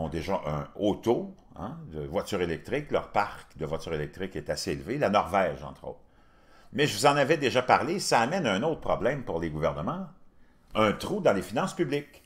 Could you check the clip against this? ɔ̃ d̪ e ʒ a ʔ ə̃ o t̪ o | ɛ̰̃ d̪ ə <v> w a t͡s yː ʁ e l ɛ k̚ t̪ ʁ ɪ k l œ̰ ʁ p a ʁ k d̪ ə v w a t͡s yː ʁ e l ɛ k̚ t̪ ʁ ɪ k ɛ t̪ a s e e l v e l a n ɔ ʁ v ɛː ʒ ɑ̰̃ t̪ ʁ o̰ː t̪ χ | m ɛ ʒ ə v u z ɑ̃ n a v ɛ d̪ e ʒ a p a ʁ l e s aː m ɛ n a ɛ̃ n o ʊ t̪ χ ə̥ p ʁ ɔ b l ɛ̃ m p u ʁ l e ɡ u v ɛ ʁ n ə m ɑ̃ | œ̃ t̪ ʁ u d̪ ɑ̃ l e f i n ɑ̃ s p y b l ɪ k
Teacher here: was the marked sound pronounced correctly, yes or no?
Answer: yes